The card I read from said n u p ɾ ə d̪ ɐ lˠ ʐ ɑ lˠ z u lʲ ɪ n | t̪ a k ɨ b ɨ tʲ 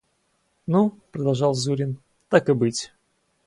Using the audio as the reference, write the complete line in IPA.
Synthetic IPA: n u p ɾ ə d̪ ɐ lˠ ʐ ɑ lˠ z u ɾʲ ɪ n | t̪ a k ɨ b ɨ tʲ